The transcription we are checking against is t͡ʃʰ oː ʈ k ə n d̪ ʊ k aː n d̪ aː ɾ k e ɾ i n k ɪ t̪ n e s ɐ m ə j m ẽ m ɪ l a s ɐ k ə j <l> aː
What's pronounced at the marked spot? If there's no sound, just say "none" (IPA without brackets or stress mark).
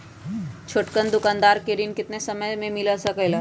l